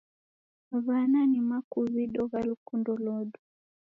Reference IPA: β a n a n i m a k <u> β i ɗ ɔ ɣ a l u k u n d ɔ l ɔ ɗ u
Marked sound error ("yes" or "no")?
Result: no